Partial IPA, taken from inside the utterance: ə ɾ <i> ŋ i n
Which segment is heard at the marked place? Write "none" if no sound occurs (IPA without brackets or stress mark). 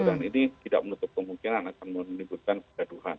a